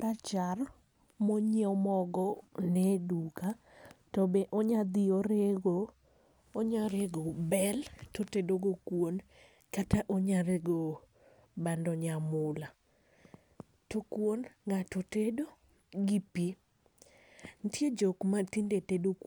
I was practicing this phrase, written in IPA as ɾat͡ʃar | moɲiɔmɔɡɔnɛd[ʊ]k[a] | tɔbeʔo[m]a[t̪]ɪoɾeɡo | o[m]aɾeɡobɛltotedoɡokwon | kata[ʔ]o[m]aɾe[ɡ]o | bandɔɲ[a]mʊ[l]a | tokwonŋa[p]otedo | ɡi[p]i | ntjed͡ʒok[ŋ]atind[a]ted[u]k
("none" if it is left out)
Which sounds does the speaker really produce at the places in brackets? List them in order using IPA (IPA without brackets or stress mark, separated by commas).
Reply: u, a, ɲ, d̪, ɲ, ʔ, ɲ, ɡ, a, l, t, p, m, e, o